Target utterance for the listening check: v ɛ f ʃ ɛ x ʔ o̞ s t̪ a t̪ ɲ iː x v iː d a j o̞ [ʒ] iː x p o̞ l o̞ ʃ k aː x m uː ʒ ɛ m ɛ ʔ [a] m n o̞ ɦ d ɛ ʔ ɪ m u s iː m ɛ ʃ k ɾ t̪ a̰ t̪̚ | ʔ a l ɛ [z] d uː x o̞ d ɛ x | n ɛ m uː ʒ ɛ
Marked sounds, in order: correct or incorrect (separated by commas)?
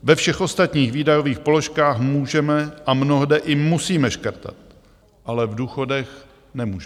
incorrect, correct, incorrect